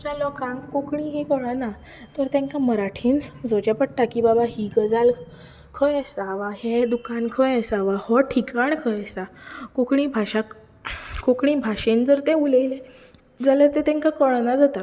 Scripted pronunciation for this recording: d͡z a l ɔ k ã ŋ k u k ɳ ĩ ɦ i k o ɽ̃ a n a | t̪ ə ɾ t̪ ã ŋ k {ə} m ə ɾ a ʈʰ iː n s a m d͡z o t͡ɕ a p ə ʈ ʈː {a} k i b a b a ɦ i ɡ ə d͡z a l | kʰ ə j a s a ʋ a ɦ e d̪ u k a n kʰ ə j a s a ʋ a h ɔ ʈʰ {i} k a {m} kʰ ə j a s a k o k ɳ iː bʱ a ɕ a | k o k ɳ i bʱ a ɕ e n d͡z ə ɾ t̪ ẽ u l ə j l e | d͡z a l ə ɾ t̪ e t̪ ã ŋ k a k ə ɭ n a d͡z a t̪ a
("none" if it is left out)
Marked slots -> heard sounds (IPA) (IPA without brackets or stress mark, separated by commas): a, a, i, ɳ